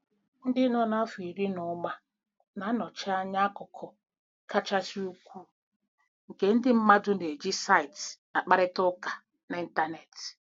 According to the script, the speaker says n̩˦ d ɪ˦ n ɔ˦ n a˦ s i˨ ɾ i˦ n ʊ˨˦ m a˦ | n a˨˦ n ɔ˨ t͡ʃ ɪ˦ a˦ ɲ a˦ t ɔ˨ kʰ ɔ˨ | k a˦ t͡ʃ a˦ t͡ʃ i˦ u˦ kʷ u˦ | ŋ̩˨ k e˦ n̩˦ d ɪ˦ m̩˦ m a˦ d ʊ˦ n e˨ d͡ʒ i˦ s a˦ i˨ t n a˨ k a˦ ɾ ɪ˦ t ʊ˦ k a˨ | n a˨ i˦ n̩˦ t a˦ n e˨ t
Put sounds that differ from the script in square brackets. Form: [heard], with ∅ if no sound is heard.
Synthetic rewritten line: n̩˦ d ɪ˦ n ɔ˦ n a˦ [f] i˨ ɾ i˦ n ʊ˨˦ m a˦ | n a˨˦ n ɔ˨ t͡ʃ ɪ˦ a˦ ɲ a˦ [k] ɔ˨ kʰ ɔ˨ | k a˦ t͡ʃ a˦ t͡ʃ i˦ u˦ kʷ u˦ | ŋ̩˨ k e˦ n̩˦ d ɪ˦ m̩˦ m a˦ d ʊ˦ n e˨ d͡ʒ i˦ s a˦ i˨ t n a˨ [k͡p] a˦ ɾ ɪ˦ t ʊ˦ k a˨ | n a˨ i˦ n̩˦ t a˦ n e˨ t